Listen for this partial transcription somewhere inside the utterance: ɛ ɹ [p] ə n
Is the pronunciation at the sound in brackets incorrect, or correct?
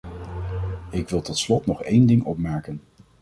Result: incorrect